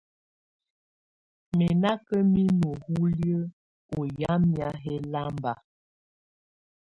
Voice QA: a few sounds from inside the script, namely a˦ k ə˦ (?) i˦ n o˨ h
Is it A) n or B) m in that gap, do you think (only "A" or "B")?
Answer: B